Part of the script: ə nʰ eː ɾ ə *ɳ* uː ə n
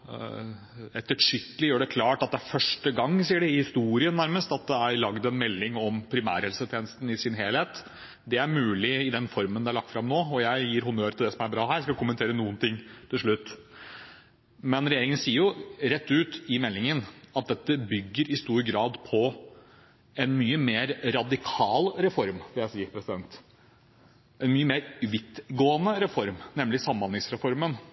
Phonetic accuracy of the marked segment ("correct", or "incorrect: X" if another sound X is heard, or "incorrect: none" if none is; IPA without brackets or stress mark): incorrect: n